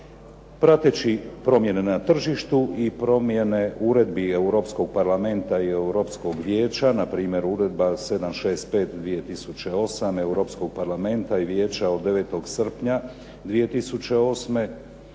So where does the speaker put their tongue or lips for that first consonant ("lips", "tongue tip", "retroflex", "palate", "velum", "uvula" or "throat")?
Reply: lips